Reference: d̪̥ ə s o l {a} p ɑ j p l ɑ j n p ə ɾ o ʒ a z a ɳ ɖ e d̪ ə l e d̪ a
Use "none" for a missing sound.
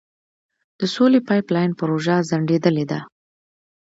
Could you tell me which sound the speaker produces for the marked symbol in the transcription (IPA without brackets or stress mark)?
e